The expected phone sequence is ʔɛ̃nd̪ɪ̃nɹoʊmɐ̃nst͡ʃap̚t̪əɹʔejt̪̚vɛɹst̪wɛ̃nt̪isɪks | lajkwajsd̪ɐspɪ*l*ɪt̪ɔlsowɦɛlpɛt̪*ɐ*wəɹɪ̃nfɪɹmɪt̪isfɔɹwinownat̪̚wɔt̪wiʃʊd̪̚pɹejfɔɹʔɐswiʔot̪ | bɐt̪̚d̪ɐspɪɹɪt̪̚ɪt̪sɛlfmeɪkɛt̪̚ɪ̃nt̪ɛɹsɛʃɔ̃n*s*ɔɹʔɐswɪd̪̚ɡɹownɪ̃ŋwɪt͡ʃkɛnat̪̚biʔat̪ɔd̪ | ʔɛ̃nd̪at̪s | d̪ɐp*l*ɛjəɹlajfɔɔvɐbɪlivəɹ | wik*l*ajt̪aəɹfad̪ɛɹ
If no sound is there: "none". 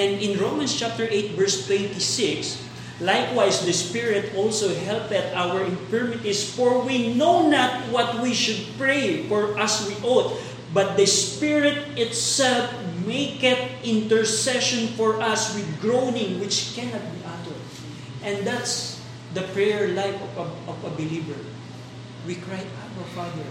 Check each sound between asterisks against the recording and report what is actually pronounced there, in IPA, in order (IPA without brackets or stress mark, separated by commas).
ɹ, a, f, ɹ, ɹ